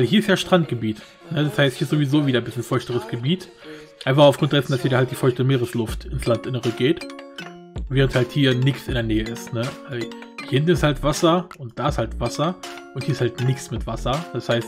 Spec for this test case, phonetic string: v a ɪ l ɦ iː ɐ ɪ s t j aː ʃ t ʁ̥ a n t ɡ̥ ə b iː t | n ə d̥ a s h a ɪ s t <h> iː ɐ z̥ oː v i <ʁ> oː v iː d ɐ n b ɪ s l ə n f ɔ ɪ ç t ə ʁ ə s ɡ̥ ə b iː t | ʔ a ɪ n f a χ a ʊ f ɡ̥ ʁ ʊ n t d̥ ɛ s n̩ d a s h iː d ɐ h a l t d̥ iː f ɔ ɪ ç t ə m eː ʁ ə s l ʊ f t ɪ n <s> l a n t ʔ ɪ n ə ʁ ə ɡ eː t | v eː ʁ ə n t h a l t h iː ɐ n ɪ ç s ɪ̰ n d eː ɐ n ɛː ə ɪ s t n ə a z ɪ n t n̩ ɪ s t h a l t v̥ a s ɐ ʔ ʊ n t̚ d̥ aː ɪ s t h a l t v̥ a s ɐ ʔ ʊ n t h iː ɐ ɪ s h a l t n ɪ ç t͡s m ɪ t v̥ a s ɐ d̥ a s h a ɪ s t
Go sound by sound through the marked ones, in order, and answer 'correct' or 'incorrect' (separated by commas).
correct, incorrect, correct